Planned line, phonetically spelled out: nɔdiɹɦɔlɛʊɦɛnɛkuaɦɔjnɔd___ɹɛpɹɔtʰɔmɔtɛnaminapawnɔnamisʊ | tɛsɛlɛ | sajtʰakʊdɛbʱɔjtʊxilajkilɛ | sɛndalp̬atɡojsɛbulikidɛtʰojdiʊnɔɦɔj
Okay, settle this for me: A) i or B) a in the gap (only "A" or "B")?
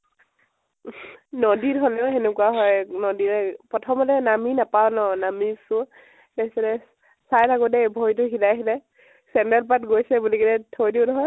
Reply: A